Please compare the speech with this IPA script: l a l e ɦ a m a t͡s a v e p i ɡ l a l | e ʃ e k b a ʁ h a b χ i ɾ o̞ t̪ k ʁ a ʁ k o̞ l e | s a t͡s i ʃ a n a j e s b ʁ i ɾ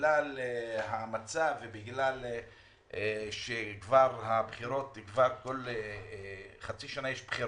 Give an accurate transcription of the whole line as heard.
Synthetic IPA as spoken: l a l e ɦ a m a t͡s a v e b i ɡ l a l | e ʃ e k v a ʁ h a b χ i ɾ o̞ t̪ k v a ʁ k o̞ l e | χ a t͡s i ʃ a n a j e ʃ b χ i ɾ